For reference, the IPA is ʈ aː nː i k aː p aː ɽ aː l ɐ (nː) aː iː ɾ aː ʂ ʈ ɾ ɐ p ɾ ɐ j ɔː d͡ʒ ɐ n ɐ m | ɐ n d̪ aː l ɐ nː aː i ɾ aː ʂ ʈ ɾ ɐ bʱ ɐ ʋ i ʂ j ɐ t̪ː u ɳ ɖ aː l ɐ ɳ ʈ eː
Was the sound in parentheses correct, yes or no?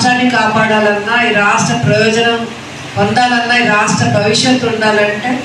yes